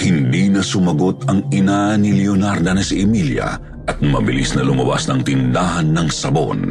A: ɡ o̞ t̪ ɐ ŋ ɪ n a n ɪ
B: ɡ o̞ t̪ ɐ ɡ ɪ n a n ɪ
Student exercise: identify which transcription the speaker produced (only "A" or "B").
A